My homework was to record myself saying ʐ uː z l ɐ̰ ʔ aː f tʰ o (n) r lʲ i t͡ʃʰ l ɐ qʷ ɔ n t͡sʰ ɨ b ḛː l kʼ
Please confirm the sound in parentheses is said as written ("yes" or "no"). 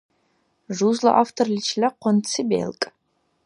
no